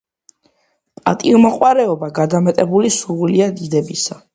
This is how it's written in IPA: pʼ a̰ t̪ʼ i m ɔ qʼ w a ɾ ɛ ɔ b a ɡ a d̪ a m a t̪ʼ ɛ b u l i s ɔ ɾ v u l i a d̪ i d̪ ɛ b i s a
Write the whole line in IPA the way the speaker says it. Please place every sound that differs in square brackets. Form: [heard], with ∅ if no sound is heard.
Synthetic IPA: pʼ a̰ t̪ʼ i m ɔ qʼ w a ɾ ɛ ɔ b a ɡ a d̪ a m [ɛ] t̪ʼ ɛ b u l i s [u] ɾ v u l i a d̪ i d̪ ɛ b i s a